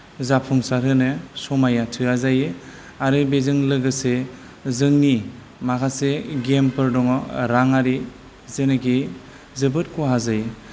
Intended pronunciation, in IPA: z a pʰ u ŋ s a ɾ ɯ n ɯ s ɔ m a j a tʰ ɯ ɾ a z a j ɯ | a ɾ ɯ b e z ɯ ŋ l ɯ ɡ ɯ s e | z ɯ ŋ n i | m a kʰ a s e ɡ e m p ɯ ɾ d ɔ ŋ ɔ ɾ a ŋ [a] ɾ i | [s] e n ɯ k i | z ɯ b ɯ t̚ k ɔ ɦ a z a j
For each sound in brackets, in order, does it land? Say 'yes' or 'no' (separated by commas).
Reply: yes, no